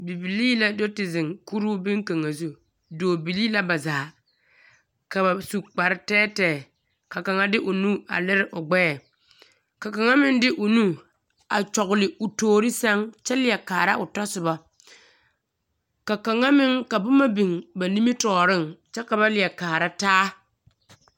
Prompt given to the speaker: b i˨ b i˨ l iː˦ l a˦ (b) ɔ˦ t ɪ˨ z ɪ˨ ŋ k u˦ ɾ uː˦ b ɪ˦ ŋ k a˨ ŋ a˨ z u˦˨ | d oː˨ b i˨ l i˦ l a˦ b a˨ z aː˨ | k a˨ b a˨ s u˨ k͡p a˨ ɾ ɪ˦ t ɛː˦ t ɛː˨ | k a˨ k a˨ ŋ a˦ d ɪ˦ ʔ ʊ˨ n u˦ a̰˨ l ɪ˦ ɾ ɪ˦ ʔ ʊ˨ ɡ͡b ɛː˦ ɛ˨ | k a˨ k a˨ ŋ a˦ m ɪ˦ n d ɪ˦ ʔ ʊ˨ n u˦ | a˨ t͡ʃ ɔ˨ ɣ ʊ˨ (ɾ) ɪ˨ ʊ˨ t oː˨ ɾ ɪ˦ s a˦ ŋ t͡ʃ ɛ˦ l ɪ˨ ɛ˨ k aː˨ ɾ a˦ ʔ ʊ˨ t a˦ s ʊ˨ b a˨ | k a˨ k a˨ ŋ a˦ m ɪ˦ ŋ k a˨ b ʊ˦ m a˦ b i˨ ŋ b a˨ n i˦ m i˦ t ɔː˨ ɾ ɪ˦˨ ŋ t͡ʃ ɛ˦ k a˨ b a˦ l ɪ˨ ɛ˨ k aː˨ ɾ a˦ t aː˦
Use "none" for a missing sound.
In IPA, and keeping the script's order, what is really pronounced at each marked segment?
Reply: d, l

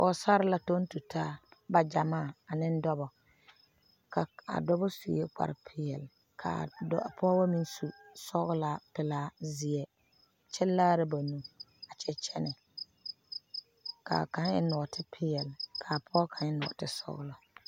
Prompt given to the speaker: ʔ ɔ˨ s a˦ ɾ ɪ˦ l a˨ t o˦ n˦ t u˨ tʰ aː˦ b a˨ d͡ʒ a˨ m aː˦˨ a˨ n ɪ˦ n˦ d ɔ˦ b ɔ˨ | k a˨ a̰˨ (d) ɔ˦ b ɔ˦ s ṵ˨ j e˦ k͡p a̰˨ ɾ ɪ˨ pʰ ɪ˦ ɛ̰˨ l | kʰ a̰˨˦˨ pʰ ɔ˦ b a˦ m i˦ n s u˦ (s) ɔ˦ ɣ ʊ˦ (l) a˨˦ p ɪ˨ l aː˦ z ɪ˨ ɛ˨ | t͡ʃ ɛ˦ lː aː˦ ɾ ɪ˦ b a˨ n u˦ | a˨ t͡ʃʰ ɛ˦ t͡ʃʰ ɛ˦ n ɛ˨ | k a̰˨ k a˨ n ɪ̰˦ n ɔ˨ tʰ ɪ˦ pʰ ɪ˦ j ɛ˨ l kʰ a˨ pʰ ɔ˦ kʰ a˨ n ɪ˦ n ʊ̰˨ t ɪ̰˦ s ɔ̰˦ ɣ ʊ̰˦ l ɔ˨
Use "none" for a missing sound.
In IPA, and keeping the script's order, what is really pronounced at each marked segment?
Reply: d, s, l

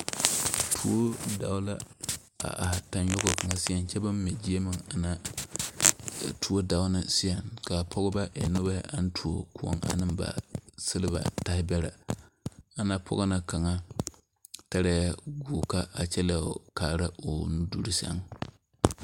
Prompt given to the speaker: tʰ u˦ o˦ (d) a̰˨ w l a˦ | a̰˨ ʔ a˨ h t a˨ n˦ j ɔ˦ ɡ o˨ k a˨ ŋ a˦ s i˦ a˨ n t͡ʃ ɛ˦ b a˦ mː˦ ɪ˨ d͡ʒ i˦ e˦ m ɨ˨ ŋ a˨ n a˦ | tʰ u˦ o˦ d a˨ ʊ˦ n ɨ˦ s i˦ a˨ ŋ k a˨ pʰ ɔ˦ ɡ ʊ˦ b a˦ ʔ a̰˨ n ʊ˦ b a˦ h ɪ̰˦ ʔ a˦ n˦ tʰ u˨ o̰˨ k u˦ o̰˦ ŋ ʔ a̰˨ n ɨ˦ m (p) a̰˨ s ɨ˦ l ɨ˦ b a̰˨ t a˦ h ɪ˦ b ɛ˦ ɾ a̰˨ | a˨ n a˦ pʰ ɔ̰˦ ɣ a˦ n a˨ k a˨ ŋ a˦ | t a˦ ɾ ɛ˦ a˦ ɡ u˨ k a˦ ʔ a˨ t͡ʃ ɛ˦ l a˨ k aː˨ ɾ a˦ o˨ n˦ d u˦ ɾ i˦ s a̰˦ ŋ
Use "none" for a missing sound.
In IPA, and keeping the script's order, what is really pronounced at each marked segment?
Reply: d, b

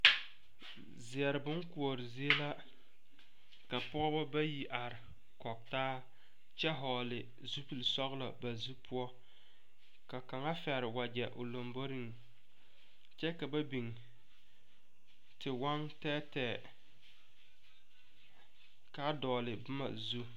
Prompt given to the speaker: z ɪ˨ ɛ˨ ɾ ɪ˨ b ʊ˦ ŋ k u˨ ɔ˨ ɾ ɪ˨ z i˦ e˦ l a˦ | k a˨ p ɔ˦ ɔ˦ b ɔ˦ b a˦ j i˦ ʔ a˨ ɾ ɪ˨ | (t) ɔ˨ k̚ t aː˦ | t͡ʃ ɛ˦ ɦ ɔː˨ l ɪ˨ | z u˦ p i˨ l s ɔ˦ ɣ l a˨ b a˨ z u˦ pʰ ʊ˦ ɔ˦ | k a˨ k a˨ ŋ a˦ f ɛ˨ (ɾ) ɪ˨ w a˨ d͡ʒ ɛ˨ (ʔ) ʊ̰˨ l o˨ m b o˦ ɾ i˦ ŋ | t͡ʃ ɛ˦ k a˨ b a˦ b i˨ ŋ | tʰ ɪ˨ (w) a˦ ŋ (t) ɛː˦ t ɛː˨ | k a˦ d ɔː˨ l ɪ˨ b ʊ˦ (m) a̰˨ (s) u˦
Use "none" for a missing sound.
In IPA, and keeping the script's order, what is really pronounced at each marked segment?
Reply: k, ɾ, ʔ, w, t, m, z

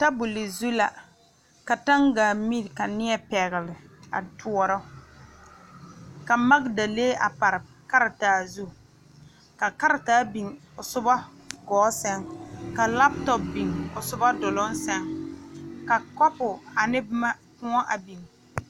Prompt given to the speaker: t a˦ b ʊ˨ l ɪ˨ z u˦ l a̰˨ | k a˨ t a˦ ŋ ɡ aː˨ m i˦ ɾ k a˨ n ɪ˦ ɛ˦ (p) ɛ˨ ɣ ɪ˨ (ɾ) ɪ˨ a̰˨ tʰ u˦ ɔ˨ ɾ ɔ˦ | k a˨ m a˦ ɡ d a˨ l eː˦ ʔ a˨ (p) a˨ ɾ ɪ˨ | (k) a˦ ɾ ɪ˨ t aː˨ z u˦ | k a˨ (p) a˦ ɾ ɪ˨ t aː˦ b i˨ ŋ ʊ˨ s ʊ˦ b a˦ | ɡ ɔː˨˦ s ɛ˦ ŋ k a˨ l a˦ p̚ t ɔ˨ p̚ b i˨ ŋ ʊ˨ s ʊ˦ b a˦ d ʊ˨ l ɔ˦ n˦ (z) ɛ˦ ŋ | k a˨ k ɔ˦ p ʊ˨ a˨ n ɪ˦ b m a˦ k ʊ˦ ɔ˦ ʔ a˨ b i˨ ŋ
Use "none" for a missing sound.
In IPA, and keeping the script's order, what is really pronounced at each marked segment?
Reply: p, l, p, k, k, s

